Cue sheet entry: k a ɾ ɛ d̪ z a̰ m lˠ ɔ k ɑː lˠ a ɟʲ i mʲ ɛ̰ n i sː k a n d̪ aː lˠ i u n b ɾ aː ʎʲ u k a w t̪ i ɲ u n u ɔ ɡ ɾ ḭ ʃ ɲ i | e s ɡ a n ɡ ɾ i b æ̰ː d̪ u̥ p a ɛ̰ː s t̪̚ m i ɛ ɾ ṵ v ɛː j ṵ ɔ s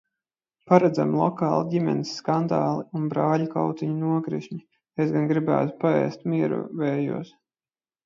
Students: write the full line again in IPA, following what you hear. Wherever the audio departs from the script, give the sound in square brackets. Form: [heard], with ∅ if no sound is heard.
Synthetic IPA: [p] a ɾ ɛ d̪ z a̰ m lˠ ɔ k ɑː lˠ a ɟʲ i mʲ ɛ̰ n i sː k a n d̪ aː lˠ i u n b ɾ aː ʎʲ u k a w t̪ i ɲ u n u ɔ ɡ ɾ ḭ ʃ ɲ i | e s ɡ a n ɡ ɾ i b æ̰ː [t̪] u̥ p a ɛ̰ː s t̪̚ m i ɛ ɾ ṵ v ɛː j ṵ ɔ s